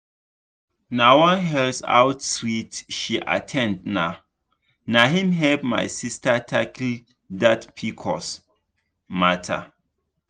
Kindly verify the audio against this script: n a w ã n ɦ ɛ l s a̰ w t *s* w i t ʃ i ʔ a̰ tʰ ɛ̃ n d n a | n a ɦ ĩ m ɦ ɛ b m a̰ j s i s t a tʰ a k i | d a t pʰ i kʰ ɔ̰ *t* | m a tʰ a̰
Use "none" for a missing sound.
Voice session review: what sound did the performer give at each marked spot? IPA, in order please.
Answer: s, s

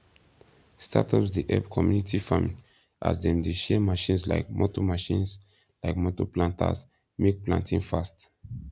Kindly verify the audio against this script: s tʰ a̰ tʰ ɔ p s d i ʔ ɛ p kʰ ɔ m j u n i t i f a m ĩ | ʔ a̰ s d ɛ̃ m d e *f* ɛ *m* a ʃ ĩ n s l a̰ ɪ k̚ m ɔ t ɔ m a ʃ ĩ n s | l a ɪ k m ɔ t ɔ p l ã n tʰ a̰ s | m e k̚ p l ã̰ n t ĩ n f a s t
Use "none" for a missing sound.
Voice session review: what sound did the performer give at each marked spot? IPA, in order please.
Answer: ʃ, m

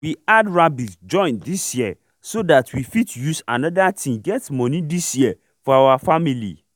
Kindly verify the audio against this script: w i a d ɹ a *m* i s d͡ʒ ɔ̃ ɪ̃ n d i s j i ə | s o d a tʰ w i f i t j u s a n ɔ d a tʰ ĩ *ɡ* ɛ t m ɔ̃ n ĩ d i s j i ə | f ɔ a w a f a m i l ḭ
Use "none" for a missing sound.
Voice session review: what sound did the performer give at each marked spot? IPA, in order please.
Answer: b, ɡ

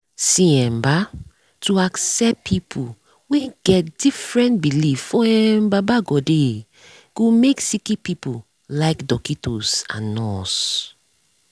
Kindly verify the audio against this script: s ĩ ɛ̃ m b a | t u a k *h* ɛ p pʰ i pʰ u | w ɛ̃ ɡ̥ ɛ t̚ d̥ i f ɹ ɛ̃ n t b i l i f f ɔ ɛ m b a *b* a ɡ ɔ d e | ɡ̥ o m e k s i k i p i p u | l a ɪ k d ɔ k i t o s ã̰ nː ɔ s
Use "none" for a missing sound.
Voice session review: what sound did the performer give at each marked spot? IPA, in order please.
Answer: s, b

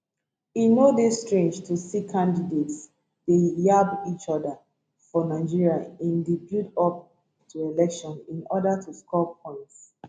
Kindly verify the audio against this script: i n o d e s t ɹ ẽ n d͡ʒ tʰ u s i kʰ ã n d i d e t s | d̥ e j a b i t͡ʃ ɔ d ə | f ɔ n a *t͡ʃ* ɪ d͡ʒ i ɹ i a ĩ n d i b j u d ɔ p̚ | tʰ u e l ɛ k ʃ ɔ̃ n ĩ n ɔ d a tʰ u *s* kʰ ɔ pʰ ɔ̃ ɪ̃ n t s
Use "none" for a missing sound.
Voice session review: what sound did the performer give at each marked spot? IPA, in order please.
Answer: none, s

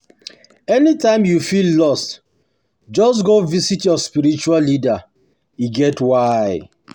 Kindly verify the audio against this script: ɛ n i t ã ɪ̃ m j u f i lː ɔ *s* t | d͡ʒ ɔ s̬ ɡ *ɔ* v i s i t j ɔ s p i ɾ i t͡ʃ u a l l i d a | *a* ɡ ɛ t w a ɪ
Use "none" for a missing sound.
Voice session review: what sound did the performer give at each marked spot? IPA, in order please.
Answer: s, o, i

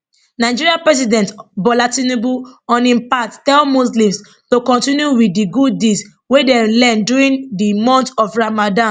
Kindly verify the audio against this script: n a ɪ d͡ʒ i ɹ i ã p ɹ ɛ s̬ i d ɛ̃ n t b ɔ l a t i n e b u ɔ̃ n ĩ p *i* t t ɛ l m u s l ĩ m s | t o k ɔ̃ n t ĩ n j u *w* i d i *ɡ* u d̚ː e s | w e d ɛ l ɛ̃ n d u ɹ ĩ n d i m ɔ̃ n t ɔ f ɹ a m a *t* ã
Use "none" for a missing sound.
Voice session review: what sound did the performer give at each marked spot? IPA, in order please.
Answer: a, w, ɡ, d

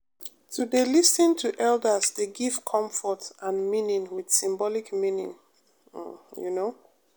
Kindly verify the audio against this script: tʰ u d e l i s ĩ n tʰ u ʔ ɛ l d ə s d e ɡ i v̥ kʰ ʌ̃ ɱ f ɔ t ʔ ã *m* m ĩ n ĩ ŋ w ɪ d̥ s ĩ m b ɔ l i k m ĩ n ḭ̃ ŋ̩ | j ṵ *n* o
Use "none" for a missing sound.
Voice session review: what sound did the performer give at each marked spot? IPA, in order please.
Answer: n, n

